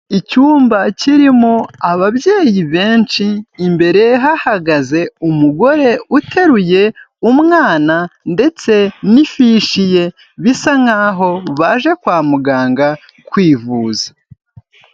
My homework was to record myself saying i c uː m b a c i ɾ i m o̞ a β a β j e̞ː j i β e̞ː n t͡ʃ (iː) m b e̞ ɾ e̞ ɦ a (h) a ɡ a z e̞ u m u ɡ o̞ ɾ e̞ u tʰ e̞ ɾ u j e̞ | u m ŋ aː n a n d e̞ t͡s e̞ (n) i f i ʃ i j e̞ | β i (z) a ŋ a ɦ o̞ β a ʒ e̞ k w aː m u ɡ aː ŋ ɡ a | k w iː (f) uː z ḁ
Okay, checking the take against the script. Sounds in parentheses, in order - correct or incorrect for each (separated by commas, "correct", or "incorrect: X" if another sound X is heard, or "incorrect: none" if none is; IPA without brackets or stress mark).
correct, correct, correct, incorrect: s, incorrect: v